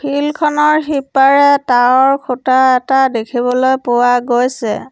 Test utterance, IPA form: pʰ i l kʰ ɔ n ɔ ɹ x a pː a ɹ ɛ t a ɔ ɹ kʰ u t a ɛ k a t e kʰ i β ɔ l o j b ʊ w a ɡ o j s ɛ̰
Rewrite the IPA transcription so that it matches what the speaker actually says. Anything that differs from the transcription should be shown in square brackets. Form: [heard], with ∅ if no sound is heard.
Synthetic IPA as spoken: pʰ i l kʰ ɔ n ɔ ɹ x [i] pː a ɹ ɛ t a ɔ ɹ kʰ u t a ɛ [t] a [d] e kʰ i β ɔ l o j [p] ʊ w a ɡ o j s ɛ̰

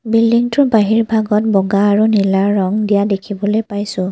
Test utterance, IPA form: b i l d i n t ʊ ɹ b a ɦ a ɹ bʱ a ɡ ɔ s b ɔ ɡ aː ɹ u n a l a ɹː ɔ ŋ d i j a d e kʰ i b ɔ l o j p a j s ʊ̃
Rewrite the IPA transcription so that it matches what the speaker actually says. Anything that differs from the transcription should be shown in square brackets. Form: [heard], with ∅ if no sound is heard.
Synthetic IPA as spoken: b i l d i [ŋ] t ʊ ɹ b a ɦ [i] ɹ bʱ a ɡ ɔ [t] b ɔ ɡ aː ɹ u n [i] l a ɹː ɔ ŋ d i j a d e kʰ i b ɔ l o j p a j s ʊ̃

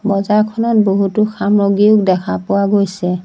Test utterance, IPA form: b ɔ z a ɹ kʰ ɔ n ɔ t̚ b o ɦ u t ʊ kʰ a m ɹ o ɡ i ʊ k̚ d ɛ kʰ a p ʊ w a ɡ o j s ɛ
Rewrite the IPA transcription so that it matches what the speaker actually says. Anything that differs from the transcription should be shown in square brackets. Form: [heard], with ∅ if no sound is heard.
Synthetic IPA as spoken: b ɔ z a ɹ kʰ ɔ n ɔ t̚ b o ɦ u t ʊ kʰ a m ɹ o ɡ i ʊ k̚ d ɛ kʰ a p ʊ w a ɡ o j s ɛ

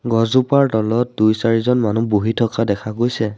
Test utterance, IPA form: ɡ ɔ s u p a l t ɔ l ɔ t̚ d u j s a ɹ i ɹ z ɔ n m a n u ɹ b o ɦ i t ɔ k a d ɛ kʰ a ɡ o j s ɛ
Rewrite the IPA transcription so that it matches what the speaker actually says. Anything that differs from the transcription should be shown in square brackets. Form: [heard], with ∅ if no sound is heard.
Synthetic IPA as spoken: ɡ ɔ [z] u p a [ɹ] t ɔ l ɔ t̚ d u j s a ɹ i [∅] z ɔ n m a n u [∅] b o ɦ i [tʰ] ɔ k a d ɛ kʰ a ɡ o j s ɛ

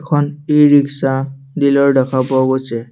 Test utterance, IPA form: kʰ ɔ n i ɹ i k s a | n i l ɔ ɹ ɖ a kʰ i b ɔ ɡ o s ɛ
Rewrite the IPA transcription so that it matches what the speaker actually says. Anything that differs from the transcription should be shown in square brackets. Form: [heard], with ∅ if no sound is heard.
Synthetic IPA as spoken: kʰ ɔ n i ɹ i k s a | [d] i l ɔ ɹ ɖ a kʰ [a] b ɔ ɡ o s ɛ

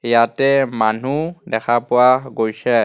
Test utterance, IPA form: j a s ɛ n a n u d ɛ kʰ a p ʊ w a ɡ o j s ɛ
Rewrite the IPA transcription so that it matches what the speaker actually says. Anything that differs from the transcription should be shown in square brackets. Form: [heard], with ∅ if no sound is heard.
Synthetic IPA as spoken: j a [t] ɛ [m] a n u d ɛ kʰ a p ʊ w a ɡ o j s ɛ

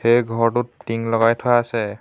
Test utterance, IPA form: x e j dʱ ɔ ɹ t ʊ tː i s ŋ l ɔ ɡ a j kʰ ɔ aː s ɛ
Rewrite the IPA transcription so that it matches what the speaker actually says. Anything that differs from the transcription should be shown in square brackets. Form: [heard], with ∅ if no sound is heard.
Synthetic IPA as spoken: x e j [ɡʱ] ɔ ɹ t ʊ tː i [∅] ŋ l ɔ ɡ a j [tʰ] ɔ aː s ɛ

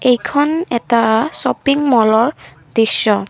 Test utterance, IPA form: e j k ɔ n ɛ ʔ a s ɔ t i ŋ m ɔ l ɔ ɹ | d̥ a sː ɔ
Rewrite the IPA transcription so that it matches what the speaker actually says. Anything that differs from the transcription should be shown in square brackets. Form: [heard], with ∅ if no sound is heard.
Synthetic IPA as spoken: e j [kʰ] ɔ n ɛ [t] a s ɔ [p] i ŋ m ɔ l ɔ ɹ | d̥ [i] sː ɔ

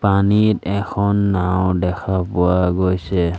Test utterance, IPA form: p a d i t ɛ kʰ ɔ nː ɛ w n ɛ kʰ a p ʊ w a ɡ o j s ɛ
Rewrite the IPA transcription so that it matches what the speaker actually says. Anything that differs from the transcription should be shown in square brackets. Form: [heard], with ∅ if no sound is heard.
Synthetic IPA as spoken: p a [n] i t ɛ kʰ ɔ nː [a] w [d] ɛ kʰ a p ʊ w a ɡ o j s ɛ

